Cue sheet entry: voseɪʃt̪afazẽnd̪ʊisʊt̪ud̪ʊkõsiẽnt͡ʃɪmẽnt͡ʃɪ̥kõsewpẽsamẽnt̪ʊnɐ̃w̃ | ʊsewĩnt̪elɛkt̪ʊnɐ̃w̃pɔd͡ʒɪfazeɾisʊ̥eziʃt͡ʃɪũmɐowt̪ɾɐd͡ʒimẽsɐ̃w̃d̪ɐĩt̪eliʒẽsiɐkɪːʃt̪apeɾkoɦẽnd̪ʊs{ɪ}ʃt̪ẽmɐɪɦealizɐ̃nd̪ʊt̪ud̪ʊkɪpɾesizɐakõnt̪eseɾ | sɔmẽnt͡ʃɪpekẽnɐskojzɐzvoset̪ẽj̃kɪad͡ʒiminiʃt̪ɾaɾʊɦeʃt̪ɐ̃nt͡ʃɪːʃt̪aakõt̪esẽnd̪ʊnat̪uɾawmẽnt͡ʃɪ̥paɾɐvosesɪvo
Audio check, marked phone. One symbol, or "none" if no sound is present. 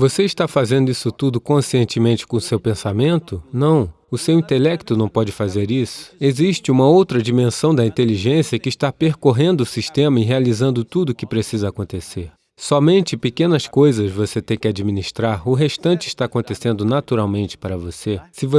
i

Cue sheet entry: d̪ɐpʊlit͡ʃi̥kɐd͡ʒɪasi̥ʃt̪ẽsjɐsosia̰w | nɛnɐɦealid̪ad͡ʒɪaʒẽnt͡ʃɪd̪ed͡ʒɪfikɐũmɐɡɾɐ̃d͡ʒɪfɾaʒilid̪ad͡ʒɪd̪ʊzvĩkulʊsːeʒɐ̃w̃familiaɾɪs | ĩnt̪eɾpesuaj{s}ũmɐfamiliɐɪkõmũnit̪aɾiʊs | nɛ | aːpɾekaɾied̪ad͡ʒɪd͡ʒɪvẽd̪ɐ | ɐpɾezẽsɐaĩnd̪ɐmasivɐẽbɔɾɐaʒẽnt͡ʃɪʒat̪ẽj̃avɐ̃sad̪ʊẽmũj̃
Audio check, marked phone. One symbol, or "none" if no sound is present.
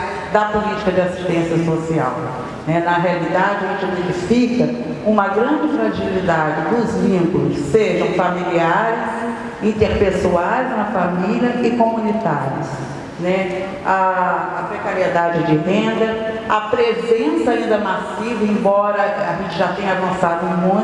z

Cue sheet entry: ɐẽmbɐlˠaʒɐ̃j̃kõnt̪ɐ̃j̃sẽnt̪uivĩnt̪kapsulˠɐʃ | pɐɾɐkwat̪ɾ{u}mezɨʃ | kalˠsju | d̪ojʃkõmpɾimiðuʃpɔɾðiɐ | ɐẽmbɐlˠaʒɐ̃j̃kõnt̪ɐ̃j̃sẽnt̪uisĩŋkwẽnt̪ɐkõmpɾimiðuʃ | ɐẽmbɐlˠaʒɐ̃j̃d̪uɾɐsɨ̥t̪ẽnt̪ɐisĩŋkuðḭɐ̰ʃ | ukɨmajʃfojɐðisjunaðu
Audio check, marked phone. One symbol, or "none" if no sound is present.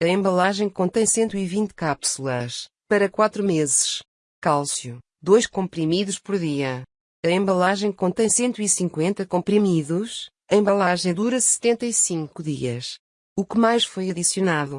u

